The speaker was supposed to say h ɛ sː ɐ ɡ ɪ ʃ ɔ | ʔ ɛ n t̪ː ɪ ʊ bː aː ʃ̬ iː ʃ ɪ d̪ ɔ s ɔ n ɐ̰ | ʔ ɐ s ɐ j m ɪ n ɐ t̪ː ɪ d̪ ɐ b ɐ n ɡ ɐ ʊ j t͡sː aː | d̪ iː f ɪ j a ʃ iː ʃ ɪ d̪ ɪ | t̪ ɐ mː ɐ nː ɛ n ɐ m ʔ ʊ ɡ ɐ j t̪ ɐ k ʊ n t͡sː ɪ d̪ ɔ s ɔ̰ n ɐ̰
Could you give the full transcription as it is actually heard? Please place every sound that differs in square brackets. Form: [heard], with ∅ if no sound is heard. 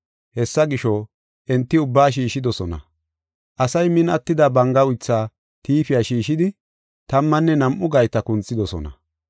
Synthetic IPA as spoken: h ɛ sː ɐ ɡ ɪ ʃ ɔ | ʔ ɛ n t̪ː ɪ ʊ bː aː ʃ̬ iː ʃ ɪ d̪ ɔ s ɔ n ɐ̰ | ʔ ɐ s ɐ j m ɪ n ɐ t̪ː ɪ d̪ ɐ b ɐ [ŋ] ɡ ɐ ʊ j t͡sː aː | [t̪] iː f ɪ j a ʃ iː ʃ ɪ d̪ ɪ | t̪ ɐ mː ɐ nː ɛ n ɐ m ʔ ʊ ɡ ɐ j t̪ ɐ k ʊ n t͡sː ɪ d̪ ɔ s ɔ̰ n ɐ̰